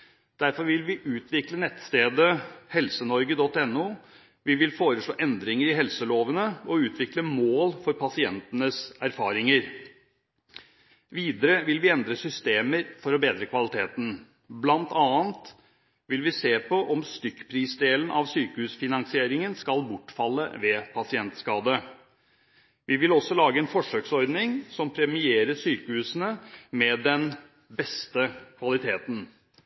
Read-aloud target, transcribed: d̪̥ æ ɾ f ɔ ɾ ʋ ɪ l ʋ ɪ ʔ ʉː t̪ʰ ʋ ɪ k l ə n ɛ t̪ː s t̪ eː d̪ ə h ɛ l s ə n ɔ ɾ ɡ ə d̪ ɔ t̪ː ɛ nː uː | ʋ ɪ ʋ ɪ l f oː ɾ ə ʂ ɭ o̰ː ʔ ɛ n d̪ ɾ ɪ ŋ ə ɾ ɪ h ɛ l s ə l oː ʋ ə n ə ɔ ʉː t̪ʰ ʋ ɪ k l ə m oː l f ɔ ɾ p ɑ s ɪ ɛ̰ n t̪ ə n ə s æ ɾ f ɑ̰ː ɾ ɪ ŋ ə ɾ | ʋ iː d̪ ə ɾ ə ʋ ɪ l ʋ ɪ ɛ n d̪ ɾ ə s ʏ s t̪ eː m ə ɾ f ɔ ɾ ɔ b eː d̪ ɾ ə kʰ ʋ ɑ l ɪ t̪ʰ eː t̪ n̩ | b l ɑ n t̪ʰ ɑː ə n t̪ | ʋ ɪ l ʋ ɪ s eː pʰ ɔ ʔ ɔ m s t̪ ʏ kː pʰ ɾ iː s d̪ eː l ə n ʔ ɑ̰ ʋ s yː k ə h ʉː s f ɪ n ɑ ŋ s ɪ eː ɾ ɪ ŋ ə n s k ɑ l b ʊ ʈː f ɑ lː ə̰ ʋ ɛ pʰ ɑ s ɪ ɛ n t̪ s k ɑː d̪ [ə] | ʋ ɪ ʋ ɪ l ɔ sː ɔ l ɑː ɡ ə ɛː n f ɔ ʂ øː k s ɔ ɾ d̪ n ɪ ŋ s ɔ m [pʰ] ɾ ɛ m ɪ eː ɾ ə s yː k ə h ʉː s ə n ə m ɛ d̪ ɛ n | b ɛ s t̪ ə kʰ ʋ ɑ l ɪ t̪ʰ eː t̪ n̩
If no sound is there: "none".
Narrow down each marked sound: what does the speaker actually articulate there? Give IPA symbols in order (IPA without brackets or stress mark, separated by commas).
ə, pʰ